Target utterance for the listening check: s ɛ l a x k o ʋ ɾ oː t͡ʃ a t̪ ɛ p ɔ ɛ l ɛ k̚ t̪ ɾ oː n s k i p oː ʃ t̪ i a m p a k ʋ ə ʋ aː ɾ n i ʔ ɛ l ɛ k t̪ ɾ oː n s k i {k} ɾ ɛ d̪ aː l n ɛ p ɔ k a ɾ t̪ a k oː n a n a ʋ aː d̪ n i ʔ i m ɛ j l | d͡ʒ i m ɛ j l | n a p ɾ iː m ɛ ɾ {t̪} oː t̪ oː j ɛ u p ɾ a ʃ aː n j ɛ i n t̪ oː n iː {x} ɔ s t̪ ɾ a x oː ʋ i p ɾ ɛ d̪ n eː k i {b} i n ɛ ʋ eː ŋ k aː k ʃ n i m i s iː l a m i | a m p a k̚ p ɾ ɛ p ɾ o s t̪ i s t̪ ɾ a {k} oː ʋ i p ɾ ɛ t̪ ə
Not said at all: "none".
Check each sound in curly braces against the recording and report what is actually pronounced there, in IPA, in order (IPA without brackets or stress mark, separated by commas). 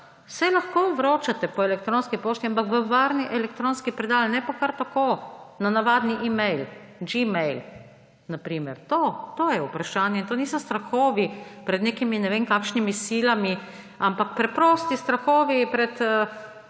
p, t̪, s, m, x